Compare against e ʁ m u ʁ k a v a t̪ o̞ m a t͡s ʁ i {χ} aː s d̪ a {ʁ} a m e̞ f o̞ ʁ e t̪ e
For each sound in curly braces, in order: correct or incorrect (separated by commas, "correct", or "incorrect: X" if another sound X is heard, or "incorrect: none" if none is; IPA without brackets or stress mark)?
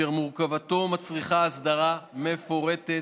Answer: correct, correct